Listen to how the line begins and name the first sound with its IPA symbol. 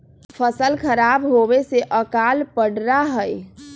pʰ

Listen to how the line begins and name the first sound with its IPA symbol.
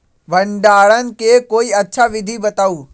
ʋ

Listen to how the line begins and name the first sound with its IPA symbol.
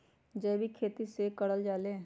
d͡ʒ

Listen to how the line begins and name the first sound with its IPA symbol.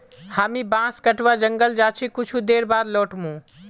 h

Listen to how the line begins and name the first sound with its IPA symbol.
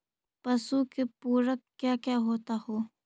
p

